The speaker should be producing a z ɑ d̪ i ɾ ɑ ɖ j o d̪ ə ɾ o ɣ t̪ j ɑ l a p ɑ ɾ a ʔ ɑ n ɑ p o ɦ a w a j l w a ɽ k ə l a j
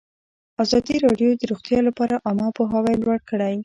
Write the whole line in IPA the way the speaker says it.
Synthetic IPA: a z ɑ d̪ i ɾ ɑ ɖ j o d̪ ə ɾ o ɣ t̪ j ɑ l a p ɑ ɾ a ʔ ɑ m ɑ p o ɦ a w a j l w a ɽ k ə ɽ a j